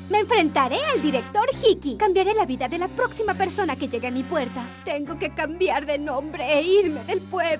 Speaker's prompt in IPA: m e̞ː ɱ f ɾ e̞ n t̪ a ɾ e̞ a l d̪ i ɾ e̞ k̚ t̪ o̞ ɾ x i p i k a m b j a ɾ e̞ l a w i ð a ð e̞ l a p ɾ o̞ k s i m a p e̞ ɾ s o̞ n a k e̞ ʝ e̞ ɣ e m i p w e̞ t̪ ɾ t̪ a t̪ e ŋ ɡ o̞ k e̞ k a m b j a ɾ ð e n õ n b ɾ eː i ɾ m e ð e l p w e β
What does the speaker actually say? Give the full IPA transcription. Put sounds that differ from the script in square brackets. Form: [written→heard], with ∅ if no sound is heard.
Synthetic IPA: m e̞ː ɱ f ɾ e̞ n t̪ a ɾ e̞ a l d̪ i ɾ e̞ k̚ t̪ o̞ ɾ x i [p→k] i k a m b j a ɾ e̞ l a [w→β] i ð a ð e̞ l a p ɾ o̞ k s i m a p e̞ ɾ s o̞ n a k e̞ ʝ e̞ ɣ e m i p w e̞ [t̪→∅] ɾ t̪ a t̪ e ŋ ɡ o̞ k e̞ k a m b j a ɾ ð e n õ [n→m] b ɾ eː i ɾ m e ð e l p w e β